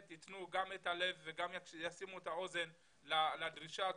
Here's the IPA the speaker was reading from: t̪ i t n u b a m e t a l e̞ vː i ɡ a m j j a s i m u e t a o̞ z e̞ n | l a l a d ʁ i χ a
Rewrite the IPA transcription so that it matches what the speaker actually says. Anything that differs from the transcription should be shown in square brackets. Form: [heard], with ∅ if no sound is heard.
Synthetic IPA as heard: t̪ i t n u [ɡ] a m e t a l e̞ vː [e] ɡ a m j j a s i m u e t a o̞ z e̞ n | l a l a d ʁ i [ʃ] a